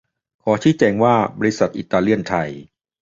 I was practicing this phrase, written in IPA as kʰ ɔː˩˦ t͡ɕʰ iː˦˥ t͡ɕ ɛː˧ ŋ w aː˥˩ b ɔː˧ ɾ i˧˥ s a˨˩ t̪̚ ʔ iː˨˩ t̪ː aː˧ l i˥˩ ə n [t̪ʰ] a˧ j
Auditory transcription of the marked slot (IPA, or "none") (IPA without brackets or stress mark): t̪ʰ